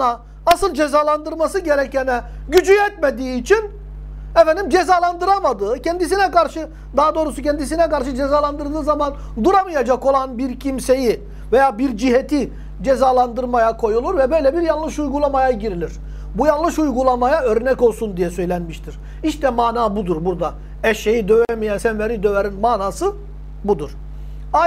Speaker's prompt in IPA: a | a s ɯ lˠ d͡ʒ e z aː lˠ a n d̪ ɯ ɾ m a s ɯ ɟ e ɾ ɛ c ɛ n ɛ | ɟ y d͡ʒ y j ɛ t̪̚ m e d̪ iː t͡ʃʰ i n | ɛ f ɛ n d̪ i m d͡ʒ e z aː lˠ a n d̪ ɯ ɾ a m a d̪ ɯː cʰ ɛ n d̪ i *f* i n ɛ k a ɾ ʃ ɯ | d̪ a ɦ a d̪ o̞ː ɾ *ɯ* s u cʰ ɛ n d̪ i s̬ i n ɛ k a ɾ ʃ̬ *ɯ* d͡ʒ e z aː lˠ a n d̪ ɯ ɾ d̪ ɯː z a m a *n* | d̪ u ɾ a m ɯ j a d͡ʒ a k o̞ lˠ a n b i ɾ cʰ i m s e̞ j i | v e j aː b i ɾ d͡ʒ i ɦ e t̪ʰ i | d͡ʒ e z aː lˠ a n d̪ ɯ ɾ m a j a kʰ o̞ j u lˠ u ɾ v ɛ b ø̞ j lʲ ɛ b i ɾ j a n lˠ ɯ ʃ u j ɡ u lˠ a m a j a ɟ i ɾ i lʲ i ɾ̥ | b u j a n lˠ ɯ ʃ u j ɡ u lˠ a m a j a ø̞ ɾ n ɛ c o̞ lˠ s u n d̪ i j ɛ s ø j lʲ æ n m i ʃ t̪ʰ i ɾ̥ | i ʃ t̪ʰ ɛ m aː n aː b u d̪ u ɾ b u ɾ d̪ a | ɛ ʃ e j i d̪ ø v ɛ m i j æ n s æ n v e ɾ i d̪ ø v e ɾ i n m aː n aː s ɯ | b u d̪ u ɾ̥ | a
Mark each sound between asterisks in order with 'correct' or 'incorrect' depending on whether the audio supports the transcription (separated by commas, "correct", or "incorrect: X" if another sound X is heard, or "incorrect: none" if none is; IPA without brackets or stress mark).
incorrect: s, incorrect: u, correct, correct